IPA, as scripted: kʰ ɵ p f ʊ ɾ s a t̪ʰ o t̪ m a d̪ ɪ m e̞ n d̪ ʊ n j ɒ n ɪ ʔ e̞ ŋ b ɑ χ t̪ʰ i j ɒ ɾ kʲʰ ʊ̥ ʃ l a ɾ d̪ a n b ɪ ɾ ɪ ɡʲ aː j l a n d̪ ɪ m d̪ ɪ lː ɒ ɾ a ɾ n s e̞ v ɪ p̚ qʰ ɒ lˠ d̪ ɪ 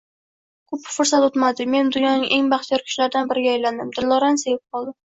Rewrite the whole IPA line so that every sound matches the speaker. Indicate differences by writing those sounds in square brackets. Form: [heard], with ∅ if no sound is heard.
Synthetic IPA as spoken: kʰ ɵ p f ʊ ɾ s a [t̪] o t̪ m a d̪ ɪ m e̞ n d̪ ʊ n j ɒ n ɪ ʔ e̞ ŋ b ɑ χ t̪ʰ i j ɒ ɾ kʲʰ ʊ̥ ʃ l a ɾ d̪ a n b ɪ ɾ ɪ ɡʲ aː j l a n d̪ ɪ m d̪ ɪ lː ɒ ɾ a [∅] n s e̞ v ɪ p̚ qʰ ɒ lˠ d̪ ɪ